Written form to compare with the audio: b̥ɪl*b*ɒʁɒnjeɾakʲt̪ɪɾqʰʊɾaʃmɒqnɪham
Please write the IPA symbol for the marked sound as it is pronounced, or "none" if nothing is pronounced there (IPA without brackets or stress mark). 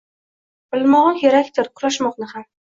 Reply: m